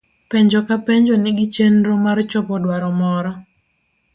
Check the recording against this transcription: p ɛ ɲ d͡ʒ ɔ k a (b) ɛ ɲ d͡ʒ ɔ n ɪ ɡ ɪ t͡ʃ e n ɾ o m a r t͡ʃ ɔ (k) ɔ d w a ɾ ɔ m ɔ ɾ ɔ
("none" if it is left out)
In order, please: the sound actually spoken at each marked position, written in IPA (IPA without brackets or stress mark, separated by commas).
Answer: p, p